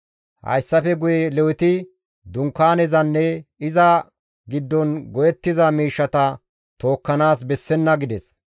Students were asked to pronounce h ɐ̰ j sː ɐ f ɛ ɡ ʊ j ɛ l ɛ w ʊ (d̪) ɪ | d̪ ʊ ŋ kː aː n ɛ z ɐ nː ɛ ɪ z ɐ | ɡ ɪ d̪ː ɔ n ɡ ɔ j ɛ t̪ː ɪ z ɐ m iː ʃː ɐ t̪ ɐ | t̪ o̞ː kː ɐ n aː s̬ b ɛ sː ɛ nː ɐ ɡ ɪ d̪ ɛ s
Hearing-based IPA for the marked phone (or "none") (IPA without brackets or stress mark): t̪